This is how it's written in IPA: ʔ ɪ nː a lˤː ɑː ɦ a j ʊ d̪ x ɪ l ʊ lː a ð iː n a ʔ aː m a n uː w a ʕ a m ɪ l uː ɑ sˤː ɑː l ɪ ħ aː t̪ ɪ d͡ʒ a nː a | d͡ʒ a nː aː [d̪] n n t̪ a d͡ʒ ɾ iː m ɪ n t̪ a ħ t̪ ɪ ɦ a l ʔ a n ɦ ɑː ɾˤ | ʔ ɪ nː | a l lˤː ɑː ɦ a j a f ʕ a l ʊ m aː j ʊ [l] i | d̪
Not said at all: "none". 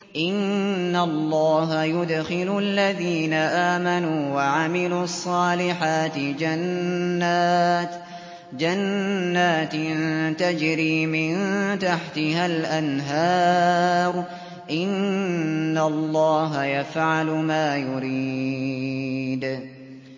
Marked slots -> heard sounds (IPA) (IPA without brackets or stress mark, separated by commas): t̪, ɾ